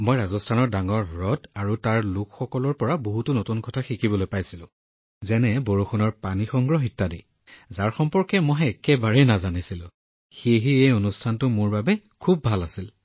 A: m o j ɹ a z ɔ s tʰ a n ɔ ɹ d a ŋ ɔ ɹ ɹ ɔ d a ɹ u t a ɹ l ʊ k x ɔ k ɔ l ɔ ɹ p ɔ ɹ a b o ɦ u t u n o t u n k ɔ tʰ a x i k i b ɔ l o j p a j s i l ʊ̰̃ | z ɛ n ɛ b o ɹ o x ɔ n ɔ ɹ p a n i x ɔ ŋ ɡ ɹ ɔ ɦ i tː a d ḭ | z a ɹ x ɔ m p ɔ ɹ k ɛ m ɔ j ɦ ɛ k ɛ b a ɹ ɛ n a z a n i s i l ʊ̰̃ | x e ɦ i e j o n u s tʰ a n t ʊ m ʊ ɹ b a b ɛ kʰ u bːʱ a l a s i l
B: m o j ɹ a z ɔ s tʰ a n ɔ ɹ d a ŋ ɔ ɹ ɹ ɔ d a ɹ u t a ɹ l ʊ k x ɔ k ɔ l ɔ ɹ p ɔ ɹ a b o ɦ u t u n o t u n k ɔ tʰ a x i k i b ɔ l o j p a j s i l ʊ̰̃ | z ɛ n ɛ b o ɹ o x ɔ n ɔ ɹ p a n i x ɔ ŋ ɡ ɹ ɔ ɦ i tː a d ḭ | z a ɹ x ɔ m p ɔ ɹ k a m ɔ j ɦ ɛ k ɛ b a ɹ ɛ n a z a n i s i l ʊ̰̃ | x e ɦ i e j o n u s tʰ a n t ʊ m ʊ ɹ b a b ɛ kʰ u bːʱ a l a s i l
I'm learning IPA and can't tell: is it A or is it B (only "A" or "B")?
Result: A